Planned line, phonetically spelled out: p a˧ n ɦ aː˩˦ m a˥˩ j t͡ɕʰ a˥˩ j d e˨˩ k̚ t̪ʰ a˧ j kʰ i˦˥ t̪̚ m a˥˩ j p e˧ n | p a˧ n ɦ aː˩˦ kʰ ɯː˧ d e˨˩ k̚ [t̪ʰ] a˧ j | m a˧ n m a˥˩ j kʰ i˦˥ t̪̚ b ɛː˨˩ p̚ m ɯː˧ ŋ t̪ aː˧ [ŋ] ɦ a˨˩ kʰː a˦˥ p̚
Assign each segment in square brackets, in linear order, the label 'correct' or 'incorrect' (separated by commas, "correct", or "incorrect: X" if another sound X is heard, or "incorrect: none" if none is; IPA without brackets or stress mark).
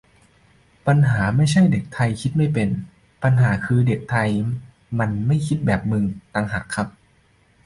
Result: correct, correct